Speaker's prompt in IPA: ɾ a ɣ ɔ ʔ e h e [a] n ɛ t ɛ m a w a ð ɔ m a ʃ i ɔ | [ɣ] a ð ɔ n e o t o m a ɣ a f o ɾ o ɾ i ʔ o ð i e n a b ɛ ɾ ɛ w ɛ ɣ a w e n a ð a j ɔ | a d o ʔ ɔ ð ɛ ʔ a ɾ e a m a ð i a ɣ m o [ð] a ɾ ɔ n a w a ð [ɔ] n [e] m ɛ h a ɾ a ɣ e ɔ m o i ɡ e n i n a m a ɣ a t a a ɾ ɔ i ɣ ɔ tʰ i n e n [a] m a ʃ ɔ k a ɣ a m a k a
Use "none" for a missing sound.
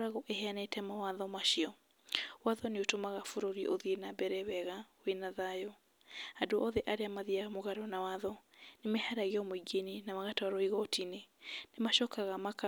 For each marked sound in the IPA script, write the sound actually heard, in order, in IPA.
a, w, ɣ, ɔ, e, e

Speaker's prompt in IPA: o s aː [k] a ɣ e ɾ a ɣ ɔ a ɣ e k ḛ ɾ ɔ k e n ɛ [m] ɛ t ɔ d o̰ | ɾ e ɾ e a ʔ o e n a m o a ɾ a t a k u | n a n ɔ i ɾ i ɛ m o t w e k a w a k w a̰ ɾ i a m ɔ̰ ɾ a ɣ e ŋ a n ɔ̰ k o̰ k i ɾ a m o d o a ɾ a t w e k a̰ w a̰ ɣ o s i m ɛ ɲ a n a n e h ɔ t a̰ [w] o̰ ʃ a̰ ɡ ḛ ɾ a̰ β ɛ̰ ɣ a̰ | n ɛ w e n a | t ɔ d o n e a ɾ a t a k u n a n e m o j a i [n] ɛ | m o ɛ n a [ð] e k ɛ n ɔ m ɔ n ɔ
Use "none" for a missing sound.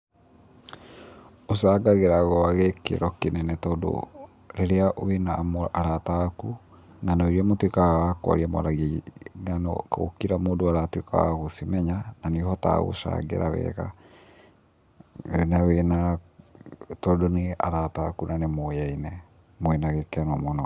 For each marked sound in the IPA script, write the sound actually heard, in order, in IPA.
ɡ, n, ɣ, n, ɣ

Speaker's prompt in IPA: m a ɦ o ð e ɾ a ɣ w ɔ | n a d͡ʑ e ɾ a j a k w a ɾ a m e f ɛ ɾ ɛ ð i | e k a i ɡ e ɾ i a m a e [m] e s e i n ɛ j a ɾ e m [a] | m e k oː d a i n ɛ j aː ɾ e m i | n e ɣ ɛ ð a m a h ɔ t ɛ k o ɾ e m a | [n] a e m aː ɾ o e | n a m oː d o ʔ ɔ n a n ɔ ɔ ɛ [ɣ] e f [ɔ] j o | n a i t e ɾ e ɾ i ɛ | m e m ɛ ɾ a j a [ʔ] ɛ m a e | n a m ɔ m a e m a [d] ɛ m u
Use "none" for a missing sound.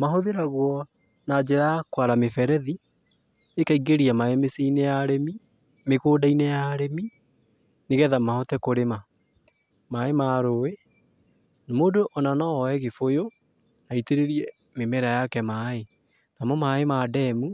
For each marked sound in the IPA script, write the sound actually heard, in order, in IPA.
m, i, m, ɣ, o, k, d

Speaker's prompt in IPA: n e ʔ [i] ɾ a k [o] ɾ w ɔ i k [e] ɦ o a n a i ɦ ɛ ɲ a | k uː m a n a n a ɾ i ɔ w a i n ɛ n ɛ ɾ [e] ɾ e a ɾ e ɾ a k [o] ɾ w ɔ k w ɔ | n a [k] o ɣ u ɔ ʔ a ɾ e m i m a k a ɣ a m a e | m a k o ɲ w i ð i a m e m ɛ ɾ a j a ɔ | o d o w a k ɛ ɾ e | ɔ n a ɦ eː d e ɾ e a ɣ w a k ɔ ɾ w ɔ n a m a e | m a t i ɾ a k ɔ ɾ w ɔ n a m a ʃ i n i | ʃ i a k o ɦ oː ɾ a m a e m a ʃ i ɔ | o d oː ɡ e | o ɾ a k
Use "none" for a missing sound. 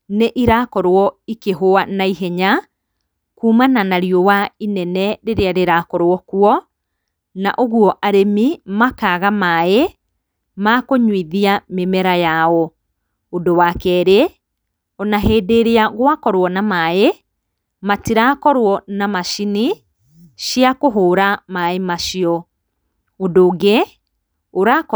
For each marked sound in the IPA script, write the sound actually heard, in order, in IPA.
i, ɔ, e, e, ɔ, ʔ

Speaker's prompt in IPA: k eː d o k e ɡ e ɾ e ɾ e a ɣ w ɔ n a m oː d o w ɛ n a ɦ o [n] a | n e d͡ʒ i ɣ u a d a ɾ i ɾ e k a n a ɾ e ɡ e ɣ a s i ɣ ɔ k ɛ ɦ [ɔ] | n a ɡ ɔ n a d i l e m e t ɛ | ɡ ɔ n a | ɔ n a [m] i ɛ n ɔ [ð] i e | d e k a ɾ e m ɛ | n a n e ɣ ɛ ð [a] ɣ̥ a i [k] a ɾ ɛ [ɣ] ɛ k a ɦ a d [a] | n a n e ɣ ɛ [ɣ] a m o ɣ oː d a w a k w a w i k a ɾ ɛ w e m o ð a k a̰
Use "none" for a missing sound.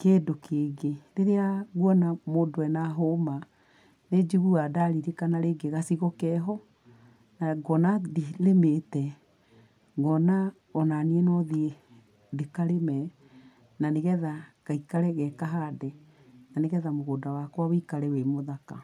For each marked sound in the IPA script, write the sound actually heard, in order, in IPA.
m, ɔ, n, ð, a, k, ɣ, ɛ, ð

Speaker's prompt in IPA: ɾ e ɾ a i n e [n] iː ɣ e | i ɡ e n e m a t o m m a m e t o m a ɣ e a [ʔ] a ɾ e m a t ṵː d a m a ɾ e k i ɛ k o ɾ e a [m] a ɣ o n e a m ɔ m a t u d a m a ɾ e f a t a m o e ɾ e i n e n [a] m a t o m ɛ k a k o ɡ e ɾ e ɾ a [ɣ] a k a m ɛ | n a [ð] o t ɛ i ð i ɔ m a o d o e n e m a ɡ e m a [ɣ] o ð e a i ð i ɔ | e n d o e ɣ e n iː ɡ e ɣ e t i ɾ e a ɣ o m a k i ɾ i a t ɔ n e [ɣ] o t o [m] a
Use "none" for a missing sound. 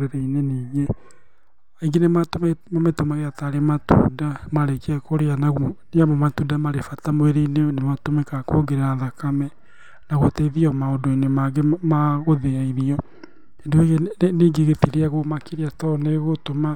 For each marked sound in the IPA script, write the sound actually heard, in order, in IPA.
n, t, n, e, ð, ɣ, ɣ, ɣ, m

